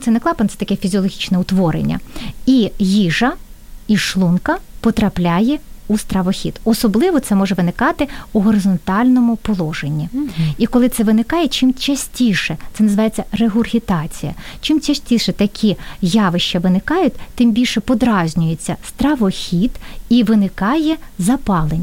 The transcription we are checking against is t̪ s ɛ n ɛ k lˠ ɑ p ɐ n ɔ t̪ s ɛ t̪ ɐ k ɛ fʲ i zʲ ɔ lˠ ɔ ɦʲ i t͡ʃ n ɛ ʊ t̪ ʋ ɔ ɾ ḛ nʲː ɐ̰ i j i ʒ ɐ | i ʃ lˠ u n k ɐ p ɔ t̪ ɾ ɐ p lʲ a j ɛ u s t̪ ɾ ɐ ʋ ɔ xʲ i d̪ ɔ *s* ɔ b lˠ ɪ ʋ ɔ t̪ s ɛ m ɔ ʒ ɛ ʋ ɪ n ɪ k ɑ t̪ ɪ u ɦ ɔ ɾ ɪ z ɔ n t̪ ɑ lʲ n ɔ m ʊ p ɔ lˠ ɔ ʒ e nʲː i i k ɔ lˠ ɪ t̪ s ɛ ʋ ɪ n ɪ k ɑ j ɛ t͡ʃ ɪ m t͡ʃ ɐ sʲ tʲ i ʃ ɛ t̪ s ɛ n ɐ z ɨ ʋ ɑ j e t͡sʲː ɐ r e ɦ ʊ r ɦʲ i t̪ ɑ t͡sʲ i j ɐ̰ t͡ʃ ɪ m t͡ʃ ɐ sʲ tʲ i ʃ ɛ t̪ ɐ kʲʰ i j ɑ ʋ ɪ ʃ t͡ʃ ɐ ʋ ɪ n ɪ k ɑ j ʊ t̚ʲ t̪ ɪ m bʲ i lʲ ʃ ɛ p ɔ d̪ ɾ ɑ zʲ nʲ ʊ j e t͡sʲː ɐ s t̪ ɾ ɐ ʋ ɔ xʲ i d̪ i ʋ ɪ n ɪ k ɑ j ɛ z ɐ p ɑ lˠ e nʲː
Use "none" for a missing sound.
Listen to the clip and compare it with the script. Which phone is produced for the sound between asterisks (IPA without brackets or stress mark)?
s